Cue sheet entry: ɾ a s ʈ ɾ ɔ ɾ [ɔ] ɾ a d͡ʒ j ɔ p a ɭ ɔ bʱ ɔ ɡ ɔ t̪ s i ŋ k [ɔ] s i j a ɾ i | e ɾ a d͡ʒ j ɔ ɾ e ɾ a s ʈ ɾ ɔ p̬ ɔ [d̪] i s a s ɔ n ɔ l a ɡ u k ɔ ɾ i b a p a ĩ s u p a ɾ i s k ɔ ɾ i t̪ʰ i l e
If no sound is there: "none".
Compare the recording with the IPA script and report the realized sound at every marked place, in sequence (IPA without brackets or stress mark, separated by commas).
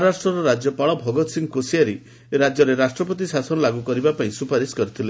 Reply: ɔ, o, t̪